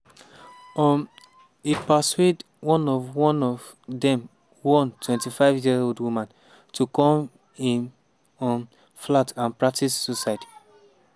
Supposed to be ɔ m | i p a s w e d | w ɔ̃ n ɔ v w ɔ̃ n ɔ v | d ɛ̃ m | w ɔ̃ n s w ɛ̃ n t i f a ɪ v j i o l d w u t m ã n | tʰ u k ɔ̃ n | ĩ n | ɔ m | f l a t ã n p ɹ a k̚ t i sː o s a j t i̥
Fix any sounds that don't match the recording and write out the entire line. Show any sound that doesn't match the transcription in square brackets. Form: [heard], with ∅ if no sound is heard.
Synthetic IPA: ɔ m | i p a s w e d | w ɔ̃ n ɔ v w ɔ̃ n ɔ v | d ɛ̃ m | w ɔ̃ n [t] w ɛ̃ n t i f a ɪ v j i o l d w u [∅] m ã n | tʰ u k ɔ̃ [m] | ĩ n | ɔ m | f l a t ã n p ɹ a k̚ t i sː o s a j t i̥